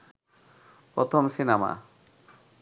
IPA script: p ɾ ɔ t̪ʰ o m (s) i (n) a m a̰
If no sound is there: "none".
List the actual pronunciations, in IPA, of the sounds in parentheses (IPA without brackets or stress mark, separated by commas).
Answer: s, n